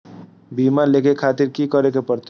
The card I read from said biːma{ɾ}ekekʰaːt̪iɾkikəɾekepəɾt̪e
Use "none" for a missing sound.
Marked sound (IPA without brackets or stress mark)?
l